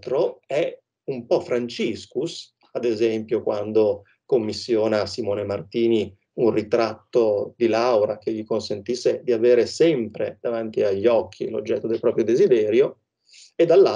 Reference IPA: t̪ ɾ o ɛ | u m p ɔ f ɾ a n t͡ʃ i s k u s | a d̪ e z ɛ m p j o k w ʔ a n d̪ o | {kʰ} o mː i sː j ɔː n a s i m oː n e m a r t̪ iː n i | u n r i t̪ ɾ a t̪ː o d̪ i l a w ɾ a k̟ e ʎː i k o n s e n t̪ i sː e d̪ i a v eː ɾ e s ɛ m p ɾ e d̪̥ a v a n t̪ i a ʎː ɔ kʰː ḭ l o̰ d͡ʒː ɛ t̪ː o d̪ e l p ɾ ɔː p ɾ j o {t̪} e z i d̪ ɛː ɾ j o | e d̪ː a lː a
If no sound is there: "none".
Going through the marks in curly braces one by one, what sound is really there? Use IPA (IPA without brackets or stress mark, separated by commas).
k, d̪